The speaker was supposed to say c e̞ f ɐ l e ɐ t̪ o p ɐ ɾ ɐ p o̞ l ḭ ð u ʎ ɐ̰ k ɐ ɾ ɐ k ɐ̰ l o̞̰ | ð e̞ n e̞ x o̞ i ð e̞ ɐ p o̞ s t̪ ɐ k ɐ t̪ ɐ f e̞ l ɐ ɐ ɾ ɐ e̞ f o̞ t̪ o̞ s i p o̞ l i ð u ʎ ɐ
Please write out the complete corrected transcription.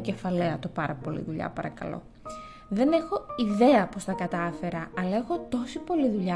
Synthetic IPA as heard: c e̞ f ɐ l e ɐ t̪ o p ɐ ɾ ɐ p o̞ l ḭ ð u ʎ ɐ̰ p ɐ ɾ ɐ k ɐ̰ l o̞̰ | ð e̞ n e̞ x o̞ i ð e̞ ɐ p o̞ s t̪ ɐ k ɐ t̪ ɐ f e̞ ɾ ɐ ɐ l ɐ e̞ x o̞ t̪ o̞ s i p o̞ l i ð u ʎ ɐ